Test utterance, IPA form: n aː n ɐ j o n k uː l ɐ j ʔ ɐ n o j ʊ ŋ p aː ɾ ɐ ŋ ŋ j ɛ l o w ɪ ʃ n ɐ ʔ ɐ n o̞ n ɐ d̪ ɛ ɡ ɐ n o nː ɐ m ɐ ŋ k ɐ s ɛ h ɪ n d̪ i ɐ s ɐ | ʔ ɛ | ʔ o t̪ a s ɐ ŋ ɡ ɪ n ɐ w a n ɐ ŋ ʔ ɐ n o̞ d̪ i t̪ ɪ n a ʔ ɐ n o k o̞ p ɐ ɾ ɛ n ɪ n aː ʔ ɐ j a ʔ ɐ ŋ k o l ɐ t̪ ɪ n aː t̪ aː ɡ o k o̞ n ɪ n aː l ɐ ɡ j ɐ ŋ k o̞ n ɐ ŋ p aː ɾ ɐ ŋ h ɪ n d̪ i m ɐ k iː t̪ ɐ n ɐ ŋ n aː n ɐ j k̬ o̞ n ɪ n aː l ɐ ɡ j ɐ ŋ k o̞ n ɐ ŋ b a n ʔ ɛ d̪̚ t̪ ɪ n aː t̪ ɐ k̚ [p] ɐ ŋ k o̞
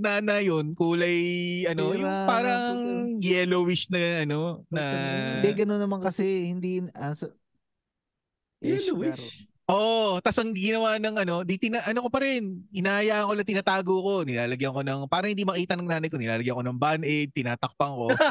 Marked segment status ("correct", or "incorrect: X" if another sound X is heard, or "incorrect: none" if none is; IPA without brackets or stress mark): correct